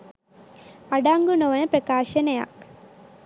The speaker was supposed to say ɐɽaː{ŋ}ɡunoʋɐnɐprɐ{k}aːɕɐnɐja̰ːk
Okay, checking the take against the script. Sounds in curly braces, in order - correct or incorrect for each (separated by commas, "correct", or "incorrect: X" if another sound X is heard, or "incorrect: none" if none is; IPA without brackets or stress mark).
correct, correct